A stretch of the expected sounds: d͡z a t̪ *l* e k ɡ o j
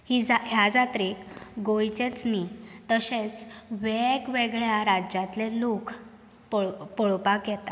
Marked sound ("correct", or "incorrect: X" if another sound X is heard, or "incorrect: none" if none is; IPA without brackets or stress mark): incorrect: ɾ